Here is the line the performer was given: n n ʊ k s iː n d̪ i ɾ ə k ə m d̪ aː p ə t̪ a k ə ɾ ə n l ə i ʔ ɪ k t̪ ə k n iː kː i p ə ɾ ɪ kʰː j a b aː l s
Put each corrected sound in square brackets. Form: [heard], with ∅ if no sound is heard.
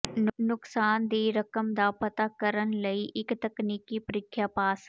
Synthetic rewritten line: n n ʊ k s [aː] n d̪ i ɾ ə k ə m d̪ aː p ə t̪ a k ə ɾ ə n l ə i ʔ ɪ k t̪ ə k n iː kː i p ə ɾ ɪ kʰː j a [p] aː [∅] s